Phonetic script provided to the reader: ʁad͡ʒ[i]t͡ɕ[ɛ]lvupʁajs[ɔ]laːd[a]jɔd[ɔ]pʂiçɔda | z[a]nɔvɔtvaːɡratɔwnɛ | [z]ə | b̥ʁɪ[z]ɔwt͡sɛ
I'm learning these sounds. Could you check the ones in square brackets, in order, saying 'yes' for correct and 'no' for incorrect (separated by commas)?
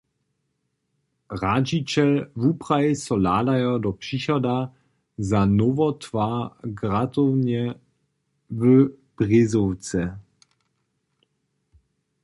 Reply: yes, yes, yes, yes, yes, yes, no, yes